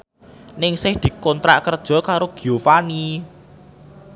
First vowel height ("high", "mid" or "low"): high